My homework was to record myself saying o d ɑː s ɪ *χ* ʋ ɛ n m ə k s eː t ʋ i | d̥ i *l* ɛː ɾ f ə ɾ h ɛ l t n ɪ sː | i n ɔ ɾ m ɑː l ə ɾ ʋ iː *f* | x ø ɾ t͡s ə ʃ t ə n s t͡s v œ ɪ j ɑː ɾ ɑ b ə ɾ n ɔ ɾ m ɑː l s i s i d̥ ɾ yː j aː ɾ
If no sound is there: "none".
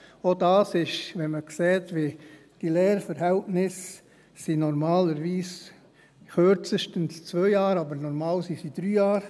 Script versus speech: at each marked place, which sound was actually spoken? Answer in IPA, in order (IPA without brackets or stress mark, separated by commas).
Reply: ʃ, l, s